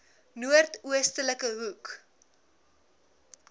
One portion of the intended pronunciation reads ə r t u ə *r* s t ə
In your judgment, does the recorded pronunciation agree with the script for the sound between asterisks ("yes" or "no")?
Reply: no